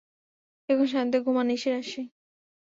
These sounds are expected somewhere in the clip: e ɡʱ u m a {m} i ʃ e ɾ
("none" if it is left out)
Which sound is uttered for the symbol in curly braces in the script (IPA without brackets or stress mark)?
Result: n